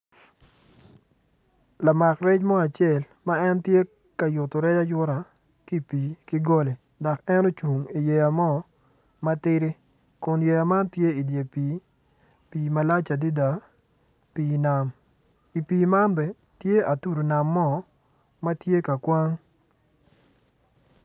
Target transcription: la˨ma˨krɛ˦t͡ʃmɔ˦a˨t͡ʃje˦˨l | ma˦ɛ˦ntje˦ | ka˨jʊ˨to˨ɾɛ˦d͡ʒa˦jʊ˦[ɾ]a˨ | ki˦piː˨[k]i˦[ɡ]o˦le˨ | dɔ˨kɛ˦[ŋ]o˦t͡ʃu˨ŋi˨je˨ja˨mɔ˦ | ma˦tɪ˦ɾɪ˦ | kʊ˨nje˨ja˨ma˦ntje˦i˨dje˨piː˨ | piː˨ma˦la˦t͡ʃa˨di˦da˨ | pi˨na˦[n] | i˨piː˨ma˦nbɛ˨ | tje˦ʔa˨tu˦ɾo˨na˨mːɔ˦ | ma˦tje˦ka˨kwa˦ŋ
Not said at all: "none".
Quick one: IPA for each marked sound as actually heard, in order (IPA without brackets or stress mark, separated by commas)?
ɾ, k, ɡ, n, m